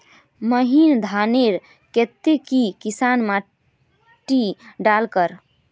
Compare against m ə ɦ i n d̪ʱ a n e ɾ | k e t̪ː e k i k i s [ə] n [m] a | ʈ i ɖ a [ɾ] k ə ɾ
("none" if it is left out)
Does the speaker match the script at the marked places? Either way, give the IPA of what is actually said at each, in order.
a, m, l

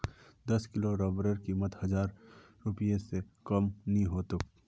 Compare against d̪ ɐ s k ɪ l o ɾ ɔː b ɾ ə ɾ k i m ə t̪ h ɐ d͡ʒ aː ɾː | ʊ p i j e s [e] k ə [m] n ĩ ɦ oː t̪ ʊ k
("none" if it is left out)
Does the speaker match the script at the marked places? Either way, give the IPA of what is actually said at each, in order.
e, m

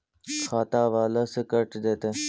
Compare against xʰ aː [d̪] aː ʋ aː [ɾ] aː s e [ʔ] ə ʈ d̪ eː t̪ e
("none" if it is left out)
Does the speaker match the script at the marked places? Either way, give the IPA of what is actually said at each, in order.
t̪, l, k

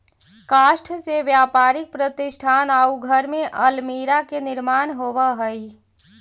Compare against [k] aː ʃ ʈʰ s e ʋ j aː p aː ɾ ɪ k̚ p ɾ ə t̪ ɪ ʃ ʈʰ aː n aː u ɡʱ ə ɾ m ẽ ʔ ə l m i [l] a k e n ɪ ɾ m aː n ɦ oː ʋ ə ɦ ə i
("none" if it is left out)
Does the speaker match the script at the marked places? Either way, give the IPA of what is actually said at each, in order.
k, ɾ

